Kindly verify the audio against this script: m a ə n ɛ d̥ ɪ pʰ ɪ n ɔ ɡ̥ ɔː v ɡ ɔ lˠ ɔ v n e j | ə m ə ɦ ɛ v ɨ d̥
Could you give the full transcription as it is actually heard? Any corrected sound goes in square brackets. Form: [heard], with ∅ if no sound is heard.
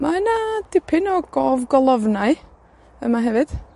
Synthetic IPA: m a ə n [a] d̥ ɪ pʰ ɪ n ɔ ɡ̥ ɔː v ɡ ɔ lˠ ɔ v n [a] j | ə m [a] ɦ ɛ v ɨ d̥